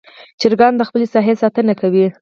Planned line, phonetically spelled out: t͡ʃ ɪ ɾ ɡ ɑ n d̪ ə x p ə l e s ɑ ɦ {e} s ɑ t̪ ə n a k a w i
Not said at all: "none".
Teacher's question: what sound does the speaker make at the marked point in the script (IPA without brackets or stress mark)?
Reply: e